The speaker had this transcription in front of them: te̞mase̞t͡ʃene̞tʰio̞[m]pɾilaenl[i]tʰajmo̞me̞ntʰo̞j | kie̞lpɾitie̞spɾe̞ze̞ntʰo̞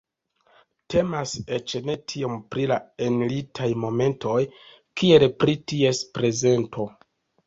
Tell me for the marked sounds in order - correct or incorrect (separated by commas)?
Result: correct, correct